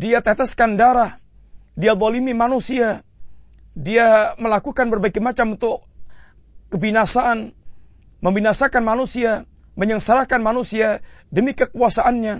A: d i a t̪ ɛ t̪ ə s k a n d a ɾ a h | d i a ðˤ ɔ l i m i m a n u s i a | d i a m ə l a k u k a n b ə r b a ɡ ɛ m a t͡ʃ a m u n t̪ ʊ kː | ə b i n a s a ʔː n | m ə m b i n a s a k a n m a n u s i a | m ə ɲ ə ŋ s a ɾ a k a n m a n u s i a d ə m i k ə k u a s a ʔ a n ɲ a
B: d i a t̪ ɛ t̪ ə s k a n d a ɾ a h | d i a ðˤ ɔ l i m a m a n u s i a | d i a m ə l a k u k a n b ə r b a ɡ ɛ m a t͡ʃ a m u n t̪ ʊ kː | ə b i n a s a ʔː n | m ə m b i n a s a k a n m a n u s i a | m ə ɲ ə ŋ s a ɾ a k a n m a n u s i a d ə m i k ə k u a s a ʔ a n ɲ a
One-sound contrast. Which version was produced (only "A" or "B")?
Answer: A